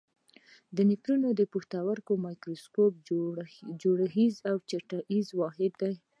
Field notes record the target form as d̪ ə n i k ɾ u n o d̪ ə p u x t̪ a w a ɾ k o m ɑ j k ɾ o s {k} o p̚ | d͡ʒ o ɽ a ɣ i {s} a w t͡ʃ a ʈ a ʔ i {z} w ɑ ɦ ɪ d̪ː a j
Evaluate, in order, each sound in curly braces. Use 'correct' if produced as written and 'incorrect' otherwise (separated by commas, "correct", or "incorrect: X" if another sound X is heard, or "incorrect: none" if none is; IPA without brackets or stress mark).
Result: correct, incorrect: z, correct